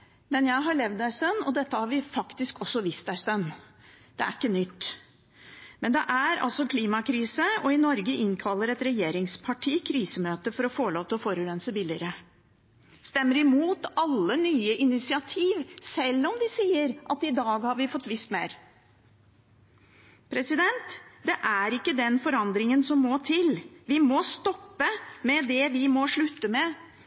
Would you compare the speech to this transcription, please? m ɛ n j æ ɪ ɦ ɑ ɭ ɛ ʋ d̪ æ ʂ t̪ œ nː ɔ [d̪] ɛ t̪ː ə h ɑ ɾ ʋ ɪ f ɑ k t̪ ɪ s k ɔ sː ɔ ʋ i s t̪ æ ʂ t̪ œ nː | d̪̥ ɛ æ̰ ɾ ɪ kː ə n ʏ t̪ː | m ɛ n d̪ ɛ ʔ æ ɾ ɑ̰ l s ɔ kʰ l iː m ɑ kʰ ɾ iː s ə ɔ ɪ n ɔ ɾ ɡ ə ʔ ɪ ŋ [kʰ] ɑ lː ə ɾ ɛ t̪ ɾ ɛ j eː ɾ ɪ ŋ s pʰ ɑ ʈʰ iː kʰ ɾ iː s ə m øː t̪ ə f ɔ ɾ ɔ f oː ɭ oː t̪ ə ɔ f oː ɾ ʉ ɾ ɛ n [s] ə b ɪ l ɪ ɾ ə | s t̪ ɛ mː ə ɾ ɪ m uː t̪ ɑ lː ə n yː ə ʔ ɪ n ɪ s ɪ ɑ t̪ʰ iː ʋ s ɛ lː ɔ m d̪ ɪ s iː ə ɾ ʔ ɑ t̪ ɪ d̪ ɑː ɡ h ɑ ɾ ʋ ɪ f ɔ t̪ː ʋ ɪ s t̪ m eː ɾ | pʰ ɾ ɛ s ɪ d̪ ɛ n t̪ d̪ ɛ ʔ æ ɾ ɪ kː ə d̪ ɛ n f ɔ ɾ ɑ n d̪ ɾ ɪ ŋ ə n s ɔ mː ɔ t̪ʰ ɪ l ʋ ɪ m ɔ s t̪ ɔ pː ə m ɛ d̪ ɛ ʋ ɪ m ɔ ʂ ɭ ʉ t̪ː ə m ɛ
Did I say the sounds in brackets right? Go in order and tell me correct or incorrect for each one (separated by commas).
correct, correct, correct